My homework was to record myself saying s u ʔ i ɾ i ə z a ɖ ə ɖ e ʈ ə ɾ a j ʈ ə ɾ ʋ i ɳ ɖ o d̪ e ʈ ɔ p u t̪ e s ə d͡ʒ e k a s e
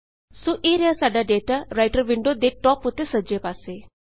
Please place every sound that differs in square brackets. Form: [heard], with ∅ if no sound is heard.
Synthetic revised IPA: s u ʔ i ɾ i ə [s] a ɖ [a] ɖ e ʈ [a] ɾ a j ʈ ə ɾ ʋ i ɳ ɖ o d̪ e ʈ ɔ p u t̪ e s ə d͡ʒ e [p] a s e